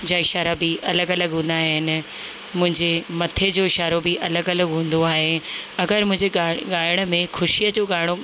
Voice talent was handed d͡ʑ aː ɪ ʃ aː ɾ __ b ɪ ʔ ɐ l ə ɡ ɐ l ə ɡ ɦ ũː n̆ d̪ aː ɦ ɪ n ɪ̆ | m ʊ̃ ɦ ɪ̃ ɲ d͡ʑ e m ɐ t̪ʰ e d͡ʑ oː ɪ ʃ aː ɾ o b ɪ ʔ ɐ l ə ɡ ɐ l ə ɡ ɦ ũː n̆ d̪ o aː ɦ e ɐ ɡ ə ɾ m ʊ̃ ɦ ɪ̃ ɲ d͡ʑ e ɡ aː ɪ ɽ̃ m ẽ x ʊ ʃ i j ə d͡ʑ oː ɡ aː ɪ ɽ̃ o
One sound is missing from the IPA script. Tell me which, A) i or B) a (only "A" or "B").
B